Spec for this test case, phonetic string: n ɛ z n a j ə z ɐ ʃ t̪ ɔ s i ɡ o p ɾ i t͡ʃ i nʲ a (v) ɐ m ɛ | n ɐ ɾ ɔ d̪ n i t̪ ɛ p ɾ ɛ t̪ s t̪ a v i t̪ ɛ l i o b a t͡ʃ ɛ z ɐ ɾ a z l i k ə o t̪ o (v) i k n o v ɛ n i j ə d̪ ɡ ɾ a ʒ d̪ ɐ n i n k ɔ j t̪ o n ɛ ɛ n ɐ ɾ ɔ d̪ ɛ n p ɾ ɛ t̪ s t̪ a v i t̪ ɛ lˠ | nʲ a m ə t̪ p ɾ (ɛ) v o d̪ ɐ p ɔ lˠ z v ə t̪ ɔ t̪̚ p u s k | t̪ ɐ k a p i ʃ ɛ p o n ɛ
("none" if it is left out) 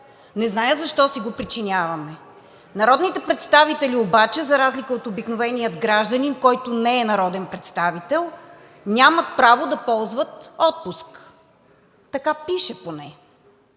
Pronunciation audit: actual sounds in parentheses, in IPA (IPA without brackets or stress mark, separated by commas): v, b, a